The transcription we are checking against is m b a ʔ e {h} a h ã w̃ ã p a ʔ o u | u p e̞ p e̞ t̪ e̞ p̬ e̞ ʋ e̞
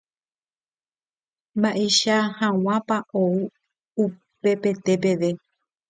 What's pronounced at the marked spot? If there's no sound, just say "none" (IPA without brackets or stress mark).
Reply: ʃ